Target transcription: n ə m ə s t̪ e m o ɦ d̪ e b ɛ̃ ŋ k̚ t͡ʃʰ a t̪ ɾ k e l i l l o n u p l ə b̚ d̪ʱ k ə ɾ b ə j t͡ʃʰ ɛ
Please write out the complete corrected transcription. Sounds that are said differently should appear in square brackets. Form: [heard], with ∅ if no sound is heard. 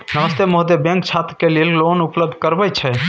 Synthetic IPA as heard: n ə m ə s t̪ e m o ɦ d̪ e b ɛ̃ ŋ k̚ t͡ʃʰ a t̪ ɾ k e l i l l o n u p l ə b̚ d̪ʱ k ə ɾ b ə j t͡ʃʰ ɛ